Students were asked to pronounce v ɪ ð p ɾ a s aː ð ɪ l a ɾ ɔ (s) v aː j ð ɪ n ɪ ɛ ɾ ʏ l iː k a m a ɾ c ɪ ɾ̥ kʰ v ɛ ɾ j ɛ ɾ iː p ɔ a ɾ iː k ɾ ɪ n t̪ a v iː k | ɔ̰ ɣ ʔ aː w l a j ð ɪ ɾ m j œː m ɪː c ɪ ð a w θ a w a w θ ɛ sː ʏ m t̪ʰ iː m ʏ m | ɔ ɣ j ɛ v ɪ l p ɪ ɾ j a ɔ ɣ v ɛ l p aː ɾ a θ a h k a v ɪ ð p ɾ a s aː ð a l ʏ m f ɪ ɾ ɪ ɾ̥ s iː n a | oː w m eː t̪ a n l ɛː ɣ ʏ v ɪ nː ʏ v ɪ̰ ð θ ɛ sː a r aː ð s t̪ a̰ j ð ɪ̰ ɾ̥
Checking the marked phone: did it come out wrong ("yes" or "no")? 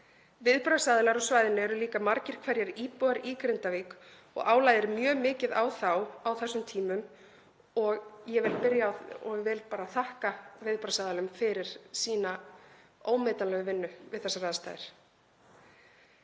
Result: no